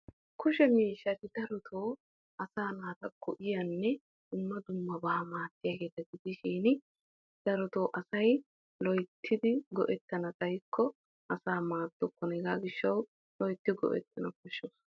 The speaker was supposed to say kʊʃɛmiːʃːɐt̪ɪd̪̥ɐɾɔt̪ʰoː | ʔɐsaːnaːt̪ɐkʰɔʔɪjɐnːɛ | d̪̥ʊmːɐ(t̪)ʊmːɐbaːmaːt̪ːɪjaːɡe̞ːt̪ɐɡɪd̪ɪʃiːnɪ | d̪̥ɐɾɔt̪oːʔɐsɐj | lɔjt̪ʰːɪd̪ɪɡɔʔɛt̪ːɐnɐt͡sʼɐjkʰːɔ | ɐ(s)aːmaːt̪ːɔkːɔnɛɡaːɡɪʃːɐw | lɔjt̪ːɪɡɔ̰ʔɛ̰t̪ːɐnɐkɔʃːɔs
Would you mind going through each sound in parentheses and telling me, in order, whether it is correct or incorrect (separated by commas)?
incorrect, correct